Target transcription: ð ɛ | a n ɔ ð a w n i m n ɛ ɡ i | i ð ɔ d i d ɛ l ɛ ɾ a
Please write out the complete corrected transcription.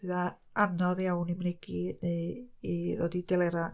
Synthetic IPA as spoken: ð a | a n ɔ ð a w n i m n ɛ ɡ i | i ð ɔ d i d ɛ l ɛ ɾ a